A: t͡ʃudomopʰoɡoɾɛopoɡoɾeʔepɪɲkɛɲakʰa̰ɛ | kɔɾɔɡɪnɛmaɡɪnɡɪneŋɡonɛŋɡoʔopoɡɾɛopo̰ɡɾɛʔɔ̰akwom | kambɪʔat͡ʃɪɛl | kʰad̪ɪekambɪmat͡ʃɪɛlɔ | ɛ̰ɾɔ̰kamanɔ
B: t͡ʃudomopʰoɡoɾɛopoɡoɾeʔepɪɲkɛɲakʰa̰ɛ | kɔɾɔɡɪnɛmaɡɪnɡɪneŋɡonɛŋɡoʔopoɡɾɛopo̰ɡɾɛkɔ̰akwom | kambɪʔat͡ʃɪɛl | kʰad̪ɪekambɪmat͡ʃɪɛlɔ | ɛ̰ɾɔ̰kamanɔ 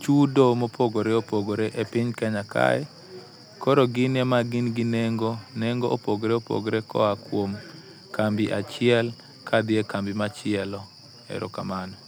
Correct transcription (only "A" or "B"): B